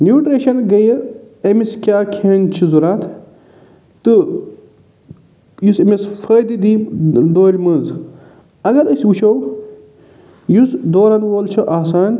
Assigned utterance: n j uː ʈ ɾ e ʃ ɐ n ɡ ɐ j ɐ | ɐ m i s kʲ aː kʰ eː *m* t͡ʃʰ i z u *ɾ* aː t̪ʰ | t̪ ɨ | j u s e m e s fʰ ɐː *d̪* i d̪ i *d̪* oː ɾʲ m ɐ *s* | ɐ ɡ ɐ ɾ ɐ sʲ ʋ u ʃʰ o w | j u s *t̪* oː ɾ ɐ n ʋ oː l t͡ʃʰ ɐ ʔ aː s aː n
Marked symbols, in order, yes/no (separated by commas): no, yes, yes, yes, no, no